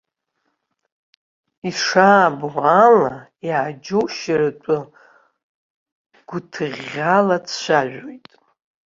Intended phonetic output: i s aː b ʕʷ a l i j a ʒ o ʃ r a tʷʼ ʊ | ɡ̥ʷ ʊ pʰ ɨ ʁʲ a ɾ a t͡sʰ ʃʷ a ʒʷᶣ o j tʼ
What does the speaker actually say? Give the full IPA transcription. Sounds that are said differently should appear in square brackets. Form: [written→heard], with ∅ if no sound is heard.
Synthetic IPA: i [s→ʂ] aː b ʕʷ a l [i→a] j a [ʒ→d͡ʒ] o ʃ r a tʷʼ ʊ | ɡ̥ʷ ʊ [pʰ→tʰ] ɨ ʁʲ a [ɾ→l] a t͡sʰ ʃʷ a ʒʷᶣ o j tʼ